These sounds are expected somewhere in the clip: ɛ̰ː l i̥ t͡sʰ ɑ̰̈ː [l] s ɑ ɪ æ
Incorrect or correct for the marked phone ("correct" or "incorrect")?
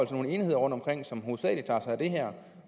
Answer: incorrect